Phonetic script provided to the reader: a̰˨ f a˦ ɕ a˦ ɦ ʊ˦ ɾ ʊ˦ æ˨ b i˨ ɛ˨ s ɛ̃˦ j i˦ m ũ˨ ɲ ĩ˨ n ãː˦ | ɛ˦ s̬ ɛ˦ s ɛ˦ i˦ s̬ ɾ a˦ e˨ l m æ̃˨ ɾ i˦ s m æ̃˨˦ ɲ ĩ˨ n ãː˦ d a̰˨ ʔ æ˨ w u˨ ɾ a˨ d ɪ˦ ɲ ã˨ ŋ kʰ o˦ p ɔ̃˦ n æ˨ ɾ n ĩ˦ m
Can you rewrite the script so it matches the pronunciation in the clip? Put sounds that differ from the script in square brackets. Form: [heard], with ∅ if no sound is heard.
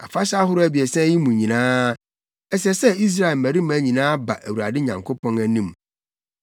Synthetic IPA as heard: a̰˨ f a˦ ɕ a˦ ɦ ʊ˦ ɾ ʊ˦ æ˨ b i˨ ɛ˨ s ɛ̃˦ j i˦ m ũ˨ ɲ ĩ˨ n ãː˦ | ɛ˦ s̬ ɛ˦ s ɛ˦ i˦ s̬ ɾ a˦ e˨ l m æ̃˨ ɾ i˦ [∅] m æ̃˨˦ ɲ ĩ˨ n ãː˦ [b] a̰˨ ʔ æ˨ w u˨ ɾ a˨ d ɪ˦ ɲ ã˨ ŋ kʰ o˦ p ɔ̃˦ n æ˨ [∅] n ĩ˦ m